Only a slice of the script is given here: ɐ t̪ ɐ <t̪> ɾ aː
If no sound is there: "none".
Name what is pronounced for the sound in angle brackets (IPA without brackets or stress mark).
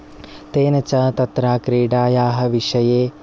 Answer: t̪